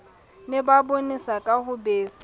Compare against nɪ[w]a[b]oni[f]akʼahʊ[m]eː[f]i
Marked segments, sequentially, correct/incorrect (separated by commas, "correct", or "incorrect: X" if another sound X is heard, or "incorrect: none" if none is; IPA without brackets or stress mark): incorrect: b, correct, incorrect: s, incorrect: b, incorrect: s